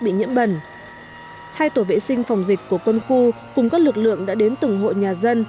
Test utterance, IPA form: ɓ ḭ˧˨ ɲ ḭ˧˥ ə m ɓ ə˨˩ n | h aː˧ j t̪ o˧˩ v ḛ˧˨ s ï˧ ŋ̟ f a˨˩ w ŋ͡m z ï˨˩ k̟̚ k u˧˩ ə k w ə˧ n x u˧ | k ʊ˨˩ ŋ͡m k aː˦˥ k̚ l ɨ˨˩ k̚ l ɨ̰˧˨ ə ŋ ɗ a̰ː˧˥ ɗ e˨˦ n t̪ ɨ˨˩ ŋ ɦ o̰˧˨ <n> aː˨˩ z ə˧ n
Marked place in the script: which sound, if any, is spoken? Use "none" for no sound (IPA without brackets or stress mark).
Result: ɲ